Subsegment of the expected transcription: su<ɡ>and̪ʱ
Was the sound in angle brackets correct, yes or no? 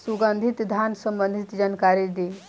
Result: yes